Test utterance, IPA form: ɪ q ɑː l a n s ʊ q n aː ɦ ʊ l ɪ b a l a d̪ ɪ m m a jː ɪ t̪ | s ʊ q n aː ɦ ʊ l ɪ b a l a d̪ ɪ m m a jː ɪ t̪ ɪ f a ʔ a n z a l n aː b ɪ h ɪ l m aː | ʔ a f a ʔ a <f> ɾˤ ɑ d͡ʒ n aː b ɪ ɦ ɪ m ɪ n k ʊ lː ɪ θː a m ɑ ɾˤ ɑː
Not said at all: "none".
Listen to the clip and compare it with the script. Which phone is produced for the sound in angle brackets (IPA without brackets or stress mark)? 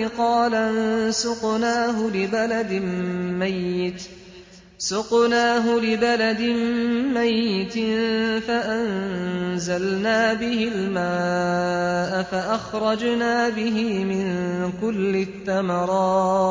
x